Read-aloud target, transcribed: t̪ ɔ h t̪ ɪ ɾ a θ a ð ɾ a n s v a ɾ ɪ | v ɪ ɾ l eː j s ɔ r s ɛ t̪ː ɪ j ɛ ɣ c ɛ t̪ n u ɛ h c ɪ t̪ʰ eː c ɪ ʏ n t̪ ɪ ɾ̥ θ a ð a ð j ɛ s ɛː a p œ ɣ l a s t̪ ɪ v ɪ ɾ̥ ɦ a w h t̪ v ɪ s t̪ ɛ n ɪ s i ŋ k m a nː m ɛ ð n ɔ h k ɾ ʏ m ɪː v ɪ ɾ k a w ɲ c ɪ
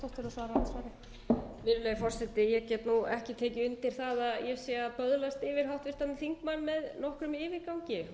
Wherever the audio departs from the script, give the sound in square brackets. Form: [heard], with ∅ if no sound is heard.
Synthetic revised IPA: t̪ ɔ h t̪ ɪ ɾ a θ a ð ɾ a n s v a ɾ ɪ | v ɪ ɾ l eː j [f] ɔ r s ɛ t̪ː ɪ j ɛ ɣ c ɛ t̪ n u ɛ h c ɪ t̪ʰ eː c ɪ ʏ n t̪ ɪ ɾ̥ θ a ð a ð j ɛ s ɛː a p œ [ð] l a s t̪ ɪ v ɪ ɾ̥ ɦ a w h t̪ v ɪ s t̪ [a] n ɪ [θ] i ŋ k m a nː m ɛ ð n ɔ h k ɾ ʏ m ɪː v ɪ ɾ k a w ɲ c ɪ